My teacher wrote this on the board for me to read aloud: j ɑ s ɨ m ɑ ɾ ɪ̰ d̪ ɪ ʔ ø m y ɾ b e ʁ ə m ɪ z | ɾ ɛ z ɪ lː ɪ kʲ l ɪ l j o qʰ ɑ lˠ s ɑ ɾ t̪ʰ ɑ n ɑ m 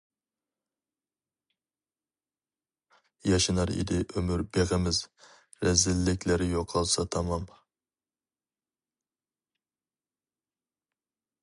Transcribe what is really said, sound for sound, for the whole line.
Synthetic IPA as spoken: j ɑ ʃ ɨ n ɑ ɾ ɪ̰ d̪ ɪ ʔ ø m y ɾ b e ʁ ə m ɪ z | ɾ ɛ z ɪ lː ɪ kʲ l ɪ ɾ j o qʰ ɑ lˠ s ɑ t̪ʰ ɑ m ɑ m

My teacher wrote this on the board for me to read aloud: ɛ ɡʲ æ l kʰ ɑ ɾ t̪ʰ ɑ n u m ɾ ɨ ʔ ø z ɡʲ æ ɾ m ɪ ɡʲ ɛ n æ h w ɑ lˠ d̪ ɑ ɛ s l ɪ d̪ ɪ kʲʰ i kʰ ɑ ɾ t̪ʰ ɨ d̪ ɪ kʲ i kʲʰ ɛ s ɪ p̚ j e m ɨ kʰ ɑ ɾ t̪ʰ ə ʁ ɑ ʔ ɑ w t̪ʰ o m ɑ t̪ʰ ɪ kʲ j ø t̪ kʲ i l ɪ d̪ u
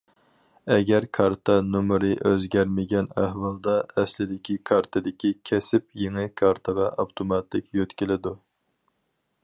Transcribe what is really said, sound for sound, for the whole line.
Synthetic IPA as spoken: ɛ ɡʲ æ ɾ kʰ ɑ ɾ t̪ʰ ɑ n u m ɾ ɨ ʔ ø z ɡʲ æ ɾ m ɪ ɡʲ ɛ n æ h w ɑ lˠ d̪ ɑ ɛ s l ɪ d̪ ɪ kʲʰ i kʰ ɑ ɾ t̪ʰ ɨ d̪ ɪ kʲ i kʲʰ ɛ s ɪ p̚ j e ŋ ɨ kʰ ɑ ɾ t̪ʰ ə ʁ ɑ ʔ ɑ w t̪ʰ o m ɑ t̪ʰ ɪ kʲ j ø t̪ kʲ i l ɪ d̪ u

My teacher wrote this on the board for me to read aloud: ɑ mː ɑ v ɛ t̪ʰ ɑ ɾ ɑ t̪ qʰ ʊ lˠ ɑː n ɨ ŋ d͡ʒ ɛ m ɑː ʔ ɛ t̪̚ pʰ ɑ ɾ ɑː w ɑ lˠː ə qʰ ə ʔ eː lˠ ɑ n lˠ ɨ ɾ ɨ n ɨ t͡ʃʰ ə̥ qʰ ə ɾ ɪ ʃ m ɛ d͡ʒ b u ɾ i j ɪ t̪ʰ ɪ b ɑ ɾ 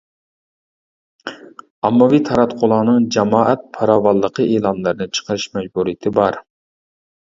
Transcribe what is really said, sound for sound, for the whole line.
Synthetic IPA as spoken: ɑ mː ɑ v i t̪ʰ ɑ ɾ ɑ t̪ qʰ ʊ lˠ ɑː n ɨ ŋ d͡ʒ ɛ m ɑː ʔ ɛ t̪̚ pʰ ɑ ɾ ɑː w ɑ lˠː ə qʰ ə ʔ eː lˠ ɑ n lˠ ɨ ɾ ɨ n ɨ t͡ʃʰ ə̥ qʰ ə ɾ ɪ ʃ m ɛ d͡ʒ b u ɾ i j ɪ t̪ʰ ɪ b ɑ ɾ

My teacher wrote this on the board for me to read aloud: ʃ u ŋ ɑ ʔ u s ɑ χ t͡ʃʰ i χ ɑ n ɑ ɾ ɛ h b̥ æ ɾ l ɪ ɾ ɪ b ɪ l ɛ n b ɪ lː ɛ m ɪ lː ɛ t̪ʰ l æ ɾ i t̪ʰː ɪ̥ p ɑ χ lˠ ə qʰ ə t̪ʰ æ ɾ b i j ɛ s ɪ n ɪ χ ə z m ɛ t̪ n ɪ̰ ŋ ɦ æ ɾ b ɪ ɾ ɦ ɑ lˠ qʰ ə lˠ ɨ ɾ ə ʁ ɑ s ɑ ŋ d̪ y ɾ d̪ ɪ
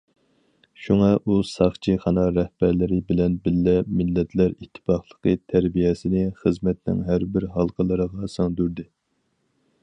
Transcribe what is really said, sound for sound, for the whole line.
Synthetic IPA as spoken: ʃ u ŋ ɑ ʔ u s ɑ χ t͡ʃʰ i χ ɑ n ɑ ɾ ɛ h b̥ æ ɾ l ɪ ɾ ɪ b ɪ l ɛ n b ɪ lː ɛ m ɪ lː ɛ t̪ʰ l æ ɾ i t̪ʰː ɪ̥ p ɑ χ lˠ ə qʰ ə t̪ʰ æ ɾ b i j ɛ s ɪ n ɪ χ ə z m ɛ t̪ n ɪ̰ ŋ ɦ æ ɾ b ɪ ɾ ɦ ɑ lˠ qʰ ə lˠ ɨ ɾ ə ʁ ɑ s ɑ ŋ d̪ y ɾ d̪ ɪ

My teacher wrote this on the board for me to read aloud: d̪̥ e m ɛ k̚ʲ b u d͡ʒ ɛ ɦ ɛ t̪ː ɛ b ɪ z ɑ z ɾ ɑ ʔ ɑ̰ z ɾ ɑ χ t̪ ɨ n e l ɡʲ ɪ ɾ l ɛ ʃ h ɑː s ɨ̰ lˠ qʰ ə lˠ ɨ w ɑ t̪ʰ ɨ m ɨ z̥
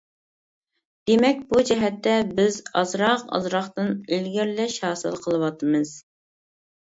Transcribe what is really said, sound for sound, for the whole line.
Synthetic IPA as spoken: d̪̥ e m ɛ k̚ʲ b u d͡ʒ ɛ ɦ ɛ t̪ː ɛ b ɪ z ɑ z ɾ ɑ q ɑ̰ z ɾ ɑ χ t̪ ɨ n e l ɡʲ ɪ ɾ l ɛ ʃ h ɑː s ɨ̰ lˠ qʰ ə lˠ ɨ w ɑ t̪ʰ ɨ m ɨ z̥

